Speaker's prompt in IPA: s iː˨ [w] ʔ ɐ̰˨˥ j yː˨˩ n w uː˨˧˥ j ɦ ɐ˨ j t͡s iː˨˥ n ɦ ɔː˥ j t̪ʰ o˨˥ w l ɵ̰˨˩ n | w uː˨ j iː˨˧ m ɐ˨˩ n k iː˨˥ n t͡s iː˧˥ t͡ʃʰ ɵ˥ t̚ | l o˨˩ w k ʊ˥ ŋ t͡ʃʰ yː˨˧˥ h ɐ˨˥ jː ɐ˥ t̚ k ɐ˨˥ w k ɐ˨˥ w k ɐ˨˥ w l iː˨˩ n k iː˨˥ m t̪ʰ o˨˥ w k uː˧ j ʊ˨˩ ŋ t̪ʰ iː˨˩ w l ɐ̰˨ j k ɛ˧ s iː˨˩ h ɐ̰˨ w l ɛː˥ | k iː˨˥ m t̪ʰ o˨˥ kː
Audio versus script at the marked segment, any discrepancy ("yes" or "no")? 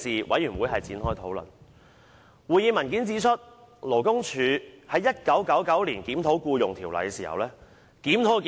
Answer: no